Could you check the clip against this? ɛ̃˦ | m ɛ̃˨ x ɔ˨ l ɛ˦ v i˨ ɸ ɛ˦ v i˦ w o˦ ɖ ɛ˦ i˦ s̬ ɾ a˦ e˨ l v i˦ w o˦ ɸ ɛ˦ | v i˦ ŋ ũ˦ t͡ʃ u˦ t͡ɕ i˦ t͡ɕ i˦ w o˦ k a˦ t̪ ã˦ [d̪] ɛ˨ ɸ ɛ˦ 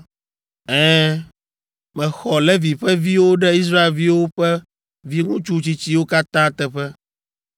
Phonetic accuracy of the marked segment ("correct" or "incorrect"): incorrect